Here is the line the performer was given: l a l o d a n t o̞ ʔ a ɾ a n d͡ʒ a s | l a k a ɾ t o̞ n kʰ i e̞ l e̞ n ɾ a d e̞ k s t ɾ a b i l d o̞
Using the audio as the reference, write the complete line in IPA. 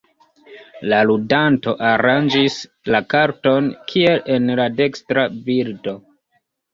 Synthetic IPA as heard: l a l u d a n t o̞ ʔ a ɾ a n d͡ʒ i s | l a k a ɾ t o̞ n kʰ i e̞ l e̞ n l a d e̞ k s t ɾ a b i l d o̞